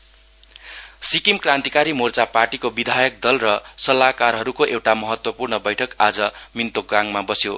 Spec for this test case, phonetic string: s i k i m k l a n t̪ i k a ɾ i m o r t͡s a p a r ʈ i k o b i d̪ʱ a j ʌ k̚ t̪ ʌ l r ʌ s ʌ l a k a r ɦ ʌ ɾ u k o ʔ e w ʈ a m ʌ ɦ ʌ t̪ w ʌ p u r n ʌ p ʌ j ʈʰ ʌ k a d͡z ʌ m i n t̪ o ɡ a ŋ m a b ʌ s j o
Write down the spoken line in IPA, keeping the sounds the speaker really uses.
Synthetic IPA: s i k i m k r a n t̪ i k a ɾ i m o r t͡s a p a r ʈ i k o b i d̪ʱ a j ʌ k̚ d̪ ʌ l r ʌ s ʌ l a k a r ɦ ʌ ɾ u k o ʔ e w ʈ a m ʌ ɦ ʌ t̪ w ʌ p u r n ʌ b ʌ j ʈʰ ʌ k a d͡z ʌ m i n t̪ o ɡ a ŋ m a b ʌ s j o